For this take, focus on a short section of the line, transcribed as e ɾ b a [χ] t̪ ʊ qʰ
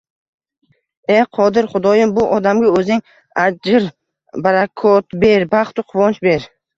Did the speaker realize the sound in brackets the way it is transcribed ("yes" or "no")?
yes